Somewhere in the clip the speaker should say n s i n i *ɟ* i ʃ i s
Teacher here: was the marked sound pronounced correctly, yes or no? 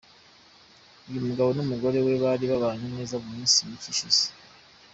no